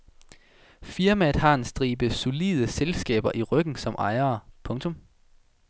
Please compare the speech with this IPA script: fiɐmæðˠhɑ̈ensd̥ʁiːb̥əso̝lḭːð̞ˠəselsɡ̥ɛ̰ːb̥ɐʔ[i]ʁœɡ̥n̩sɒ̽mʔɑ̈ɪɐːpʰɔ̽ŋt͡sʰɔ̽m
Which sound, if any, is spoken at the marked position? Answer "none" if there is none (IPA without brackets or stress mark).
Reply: i